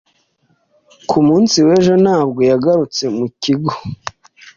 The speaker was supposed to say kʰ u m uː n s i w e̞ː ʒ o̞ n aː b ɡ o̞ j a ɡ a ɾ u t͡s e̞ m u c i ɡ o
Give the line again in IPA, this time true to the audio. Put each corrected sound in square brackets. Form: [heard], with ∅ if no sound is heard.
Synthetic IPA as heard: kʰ u m uː n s i w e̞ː ʒ o̞ n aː b ɡ o̞ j a ɡ a ɾ u t͡s e̞ m u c i ɡ o